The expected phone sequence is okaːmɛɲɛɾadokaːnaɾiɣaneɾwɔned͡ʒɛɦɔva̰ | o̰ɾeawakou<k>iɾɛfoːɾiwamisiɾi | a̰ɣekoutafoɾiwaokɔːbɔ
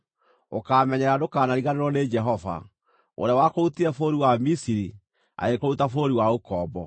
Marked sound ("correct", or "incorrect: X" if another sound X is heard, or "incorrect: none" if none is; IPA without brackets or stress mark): incorrect: t